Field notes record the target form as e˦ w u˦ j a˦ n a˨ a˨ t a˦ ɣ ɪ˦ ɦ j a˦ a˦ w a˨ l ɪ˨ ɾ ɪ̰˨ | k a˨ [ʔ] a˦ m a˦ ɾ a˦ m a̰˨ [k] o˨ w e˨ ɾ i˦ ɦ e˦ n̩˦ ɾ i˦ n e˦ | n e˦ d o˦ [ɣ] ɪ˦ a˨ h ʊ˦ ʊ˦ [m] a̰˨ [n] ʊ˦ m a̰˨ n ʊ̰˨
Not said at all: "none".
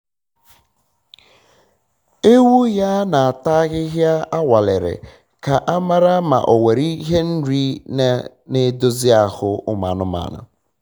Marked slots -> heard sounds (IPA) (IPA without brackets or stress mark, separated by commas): ʔ, ʔ, z, m, n